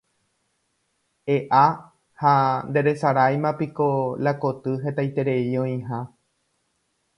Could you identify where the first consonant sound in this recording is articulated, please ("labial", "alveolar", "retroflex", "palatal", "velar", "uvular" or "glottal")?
glottal